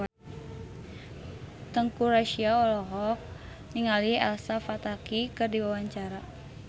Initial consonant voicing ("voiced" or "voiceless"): voiceless